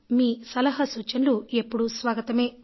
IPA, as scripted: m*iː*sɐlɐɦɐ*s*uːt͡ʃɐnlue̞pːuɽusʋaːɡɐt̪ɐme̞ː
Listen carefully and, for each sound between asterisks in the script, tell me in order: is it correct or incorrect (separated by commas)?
correct, correct